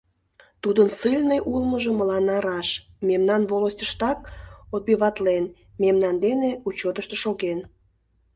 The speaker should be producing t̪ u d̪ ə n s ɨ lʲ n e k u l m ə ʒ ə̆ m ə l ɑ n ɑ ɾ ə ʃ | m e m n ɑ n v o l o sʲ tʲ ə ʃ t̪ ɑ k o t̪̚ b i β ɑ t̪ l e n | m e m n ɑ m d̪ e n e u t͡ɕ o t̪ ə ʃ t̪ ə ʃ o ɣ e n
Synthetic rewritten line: t̪ u d̪ ə n s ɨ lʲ n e ʔ u l m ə ʒ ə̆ m ə l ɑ n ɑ ɾ ɑ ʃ | m e m n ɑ n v o l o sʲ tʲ ə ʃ t̪ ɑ k o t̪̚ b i β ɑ t̪ l e n | m e m n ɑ n d̪ e n e u t͡ɕ o t̪ ə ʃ t̪ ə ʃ o ɣ e n